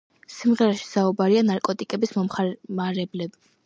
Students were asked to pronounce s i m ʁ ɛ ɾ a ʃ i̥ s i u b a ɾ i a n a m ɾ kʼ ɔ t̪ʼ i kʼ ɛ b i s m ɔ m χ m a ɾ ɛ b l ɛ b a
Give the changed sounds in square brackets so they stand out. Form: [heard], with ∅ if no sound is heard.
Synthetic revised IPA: s i m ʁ ɛ ɾ a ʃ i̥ s [a] u b a ɾ i a n a [∅] ɾ kʼ ɔ t̪ʼ i kʼ ɛ b i s m ɔ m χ m a ɾ ɛ b l ɛ b [i]

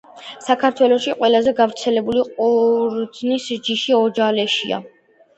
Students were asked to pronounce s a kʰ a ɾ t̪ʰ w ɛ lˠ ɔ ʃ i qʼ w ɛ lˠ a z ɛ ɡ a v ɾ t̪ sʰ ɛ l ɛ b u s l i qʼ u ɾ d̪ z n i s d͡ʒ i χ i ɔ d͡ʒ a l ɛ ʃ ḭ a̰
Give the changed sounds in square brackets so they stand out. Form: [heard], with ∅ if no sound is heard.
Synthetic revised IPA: s a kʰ a ɾ t̪ʰ w ɛ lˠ ɔ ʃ i qʼ w ɛ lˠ a z ɛ ɡ a v ɾ t̪ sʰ ɛ l ɛ b u [∅] l i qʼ u ɾ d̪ z n i s d͡ʒ i [ʃ] i ɔ d͡ʒ a l ɛ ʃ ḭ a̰

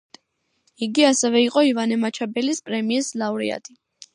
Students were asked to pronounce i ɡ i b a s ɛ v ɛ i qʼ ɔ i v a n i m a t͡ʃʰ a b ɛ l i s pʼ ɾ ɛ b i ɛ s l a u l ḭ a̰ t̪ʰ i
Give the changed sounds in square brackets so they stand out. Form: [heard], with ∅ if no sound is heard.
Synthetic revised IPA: i ɡ i [∅] a s ɛ v ɛ i qʼ ɔ i v a n [ɛ] m a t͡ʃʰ a b ɛ l i s pʼ ɾ ɛ [m] i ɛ s l a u [ɾ] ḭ a̰ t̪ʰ i

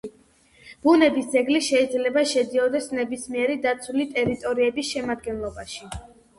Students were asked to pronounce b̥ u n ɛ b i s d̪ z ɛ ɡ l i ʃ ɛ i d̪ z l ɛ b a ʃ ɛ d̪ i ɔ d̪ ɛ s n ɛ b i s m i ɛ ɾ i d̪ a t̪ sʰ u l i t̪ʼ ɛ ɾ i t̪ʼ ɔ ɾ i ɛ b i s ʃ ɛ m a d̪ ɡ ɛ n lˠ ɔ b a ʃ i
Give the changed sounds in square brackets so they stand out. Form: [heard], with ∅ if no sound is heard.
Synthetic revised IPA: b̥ u n ɛ b i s d̪ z ɛ ɡ l i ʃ ɛ i d̪ z l ɛ b a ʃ ɛ d̪ i ɔ d̪ ɛ s n ɛ b i s m i ɛ ɾ i d̪ a t̪ sʰ u l i t̪ʼ ɛ ɾ i t̪ʼ ɔ ɾ i ɛ b i s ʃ ɛ m a d̪ ɡ ɛ n lˠ ɔ b a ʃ i

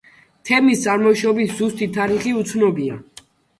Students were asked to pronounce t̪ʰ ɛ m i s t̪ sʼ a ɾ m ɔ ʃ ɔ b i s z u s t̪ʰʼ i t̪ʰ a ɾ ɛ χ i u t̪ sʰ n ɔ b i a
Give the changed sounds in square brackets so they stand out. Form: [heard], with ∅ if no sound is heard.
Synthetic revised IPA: t̪ʰ ɛ m i s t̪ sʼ a ɾ m ɔ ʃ ɔ b i s z u s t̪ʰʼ i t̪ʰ a ɾ [i] χ i u t̪ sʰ n ɔ b i a

